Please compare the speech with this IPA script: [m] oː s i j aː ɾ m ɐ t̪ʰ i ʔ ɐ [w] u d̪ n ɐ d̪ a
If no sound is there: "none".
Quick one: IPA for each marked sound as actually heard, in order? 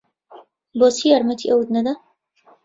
b, w

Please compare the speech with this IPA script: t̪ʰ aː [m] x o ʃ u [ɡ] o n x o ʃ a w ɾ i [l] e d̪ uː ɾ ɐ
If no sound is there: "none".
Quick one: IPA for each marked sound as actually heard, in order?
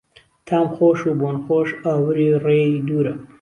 m, b, r

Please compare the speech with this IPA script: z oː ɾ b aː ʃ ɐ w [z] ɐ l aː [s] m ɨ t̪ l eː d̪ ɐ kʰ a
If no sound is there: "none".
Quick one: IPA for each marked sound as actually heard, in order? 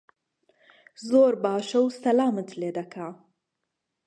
s, none

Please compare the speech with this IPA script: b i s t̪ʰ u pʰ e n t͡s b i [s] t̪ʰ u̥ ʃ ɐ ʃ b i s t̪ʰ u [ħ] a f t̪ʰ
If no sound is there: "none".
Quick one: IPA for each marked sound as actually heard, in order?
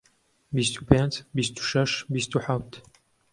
s, ħ

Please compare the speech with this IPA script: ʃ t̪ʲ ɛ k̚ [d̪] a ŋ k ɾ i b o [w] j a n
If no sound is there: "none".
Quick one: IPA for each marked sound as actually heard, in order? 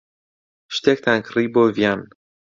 t̪, v

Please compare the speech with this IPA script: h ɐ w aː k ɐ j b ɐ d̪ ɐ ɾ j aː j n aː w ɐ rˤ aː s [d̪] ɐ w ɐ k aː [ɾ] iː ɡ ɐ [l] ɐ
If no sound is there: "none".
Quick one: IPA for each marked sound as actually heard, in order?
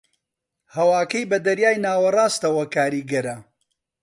t̪, ɾ, ɾ

